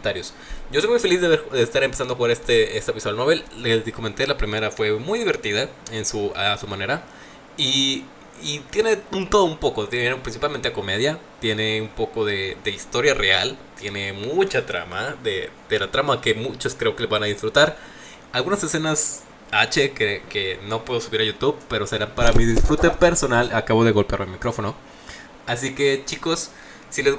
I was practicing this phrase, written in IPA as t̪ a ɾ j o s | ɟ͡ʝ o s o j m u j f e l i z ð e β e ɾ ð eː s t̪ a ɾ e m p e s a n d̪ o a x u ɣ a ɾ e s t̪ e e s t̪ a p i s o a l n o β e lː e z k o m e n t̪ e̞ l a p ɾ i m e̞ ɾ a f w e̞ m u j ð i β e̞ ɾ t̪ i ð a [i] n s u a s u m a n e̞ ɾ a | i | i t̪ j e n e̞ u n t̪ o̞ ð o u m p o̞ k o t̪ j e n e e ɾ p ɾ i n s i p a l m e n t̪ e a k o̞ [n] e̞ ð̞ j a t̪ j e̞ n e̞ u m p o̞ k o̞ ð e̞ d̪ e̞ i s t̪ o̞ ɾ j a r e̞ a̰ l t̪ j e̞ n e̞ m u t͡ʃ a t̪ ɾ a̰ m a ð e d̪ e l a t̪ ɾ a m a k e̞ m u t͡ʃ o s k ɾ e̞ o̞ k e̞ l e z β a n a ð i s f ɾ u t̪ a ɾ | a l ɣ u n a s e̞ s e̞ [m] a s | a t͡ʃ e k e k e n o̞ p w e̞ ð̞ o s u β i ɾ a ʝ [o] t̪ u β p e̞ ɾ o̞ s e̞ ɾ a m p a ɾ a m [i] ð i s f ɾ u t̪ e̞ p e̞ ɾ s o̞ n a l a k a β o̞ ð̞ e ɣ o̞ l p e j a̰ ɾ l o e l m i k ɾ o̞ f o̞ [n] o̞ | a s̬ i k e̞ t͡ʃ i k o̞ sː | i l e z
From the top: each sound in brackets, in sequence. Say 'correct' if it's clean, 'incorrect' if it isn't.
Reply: incorrect: e, incorrect: m, incorrect: n, incorrect: u, correct, correct

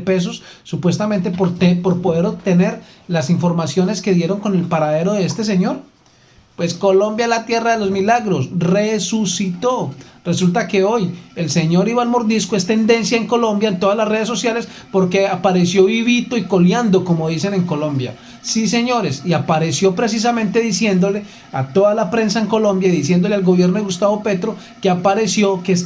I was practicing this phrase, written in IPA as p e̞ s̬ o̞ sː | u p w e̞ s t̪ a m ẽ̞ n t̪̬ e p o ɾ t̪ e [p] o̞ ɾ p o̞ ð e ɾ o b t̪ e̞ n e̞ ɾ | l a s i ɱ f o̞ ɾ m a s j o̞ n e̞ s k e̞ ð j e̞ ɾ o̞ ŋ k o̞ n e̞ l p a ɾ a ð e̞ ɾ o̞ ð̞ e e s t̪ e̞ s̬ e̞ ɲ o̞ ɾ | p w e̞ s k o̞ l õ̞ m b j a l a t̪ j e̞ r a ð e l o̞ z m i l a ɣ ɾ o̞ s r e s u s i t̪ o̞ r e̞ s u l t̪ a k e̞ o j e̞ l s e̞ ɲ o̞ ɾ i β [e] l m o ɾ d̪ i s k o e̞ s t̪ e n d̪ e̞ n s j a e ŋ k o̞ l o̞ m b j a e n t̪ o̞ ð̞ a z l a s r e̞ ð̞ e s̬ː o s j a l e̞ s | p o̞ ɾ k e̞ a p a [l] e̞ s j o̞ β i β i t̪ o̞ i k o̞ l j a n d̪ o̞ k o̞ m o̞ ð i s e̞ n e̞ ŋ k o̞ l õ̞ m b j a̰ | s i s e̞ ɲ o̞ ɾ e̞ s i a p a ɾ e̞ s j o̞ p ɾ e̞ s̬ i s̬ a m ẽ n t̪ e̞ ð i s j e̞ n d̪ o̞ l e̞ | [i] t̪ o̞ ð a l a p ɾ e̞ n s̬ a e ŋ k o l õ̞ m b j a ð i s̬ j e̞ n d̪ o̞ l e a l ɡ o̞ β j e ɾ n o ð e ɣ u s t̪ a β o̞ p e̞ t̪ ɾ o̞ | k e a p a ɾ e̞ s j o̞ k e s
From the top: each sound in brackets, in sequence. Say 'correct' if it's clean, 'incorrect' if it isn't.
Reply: correct, incorrect: a, incorrect: ɾ, incorrect: a

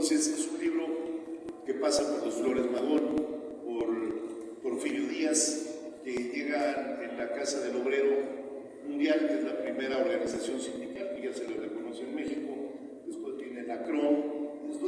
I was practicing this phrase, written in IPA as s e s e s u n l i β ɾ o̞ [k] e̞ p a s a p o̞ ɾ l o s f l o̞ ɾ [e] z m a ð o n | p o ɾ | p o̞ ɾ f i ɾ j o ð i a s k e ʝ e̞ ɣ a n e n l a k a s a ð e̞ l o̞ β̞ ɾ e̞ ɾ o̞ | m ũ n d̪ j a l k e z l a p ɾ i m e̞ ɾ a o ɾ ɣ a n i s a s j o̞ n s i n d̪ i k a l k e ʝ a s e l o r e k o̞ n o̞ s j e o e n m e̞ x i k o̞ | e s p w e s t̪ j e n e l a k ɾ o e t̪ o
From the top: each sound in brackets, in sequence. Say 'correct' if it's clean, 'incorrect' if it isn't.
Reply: correct, correct

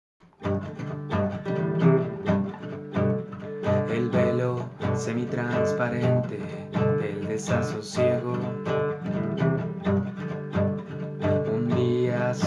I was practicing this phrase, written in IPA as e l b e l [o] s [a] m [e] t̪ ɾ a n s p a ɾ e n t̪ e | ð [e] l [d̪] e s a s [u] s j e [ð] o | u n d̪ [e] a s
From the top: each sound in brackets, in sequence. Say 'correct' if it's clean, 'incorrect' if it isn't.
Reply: correct, incorrect: e, incorrect: i, correct, correct, incorrect: o, incorrect: ɣ, incorrect: i

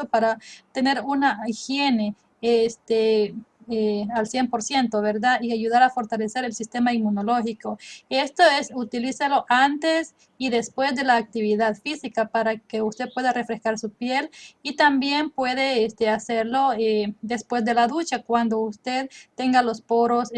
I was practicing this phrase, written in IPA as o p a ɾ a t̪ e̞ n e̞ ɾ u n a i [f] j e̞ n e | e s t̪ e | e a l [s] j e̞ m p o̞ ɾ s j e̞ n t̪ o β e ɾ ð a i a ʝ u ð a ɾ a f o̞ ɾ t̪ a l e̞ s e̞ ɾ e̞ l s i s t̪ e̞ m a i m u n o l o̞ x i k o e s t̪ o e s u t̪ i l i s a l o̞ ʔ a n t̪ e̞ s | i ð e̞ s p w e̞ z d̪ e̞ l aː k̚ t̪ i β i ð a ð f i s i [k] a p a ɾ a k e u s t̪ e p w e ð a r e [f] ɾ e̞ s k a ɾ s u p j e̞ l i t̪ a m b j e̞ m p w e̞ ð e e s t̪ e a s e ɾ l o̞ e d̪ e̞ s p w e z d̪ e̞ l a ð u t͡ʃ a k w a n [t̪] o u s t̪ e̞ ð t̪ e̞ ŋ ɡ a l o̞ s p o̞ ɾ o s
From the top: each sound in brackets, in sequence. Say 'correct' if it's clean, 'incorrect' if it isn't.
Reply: incorrect: x, correct, correct, correct, incorrect: d̪

